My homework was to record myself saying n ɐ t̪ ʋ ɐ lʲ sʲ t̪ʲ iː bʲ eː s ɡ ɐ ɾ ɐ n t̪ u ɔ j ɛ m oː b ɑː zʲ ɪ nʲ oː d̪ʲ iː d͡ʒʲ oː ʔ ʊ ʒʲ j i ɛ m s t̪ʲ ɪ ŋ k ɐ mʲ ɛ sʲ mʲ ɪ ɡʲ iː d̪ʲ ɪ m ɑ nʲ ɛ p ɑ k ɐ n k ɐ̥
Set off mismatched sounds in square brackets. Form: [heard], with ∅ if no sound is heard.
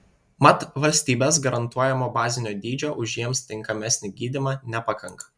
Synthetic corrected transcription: [m] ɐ t̪ ʋ ɐ lʲ sʲ t̪ʲ iː bʲ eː s ɡ ɐ ɾ ɐ n t̪ u ɔ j ɛ m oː b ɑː zʲ ɪ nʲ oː d̪ʲ iː d͡ʒʲ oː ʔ ʊ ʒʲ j i ɛ m s t̪ʲ ɪ ŋ k ɐ mʲ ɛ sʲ [nʲ] ɪ ɡʲ iː d̪ʲ ɪ m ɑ nʲ ɛ p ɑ k ɐ [ŋ] k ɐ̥

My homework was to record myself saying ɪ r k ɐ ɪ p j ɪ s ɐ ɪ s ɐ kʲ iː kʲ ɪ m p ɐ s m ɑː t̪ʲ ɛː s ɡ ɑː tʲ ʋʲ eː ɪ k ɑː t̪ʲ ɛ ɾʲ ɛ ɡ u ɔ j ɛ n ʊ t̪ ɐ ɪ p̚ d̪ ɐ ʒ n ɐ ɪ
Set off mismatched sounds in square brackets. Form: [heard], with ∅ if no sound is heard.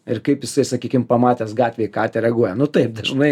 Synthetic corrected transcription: ɪ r k ɐ ɪ p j ɪ s ɐ ɪ s ɐ kʲ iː kʲ ɪ m p ɐ [∅] m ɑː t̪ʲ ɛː s ɡ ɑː tʲ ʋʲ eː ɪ k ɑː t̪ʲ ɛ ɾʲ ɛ ɡ u ɔ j ɛ n ʊ t̪ ɐ ɪ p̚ d̪ ɐ ʒ n ɐ ɪ

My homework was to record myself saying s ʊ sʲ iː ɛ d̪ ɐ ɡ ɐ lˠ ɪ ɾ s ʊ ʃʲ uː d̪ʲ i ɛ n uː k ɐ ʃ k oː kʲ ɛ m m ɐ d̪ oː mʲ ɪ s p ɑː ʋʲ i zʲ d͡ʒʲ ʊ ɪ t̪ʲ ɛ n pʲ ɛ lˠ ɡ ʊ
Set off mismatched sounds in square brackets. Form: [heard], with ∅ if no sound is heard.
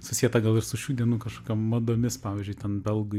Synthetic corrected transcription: s ʊ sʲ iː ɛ [t̪] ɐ ɡ ɐ lˠ ɪ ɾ s ʊ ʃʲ uː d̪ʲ i ɛ n uː k ɐ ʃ k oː kʲ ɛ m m ɐ d̪ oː mʲ ɪ s p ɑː ʋʲ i zʲ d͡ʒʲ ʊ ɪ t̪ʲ ɛ n [bʲ] ɛ lˠ ɡ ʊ

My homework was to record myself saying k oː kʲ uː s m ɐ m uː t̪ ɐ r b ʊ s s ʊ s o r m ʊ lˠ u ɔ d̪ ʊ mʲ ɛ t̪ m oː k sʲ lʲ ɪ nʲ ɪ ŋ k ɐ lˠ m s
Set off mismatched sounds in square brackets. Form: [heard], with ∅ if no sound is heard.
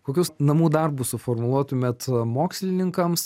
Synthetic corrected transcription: k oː kʲ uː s [n] ɐ m uː [d̪] ɐ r b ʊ s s ʊ [f] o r m ʊ lˠ u ɔ [t̪] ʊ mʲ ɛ t̪ m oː k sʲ lʲ ɪ nʲ ɪ ŋ k ɐ [∅] m s

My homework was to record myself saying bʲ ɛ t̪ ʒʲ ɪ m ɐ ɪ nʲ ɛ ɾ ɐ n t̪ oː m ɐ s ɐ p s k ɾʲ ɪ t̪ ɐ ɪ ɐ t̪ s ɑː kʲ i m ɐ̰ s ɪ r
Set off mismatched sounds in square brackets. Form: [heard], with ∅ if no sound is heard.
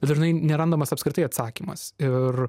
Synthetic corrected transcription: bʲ ɛ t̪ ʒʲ ɪ [n] ɐ ɪ nʲ ɛ ɾ ɐ n [d̪] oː m ɐ s ɐ p s k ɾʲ ɪ t̪ ɐ ɪ ɐ t̪ s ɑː kʲ i m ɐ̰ s ɪ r

